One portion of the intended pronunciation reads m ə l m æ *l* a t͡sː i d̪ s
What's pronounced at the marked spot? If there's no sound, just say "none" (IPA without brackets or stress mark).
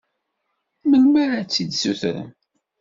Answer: ɾ